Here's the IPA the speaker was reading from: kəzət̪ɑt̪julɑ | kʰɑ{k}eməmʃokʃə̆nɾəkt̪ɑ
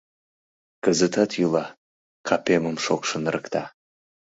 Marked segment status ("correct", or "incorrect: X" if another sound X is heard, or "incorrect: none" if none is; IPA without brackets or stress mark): incorrect: p